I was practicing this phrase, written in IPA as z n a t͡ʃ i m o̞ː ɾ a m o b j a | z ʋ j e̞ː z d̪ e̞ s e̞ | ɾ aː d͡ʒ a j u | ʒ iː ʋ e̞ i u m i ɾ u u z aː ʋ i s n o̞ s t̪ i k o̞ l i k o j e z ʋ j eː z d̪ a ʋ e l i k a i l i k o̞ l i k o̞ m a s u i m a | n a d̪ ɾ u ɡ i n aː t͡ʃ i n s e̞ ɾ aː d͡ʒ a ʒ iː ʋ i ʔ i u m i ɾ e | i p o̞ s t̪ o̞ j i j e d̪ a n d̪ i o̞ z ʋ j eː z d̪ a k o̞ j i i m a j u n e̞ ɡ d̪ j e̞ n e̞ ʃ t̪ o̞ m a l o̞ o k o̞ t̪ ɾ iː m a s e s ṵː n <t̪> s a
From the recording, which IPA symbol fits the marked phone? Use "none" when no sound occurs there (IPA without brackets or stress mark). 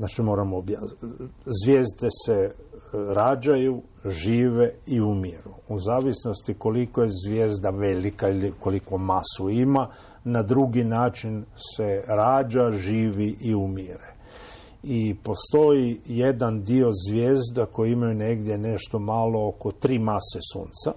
t̪